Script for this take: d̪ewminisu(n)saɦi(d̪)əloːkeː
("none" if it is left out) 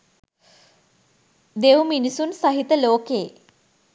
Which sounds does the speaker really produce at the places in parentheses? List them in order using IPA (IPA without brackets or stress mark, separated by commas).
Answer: n, t̪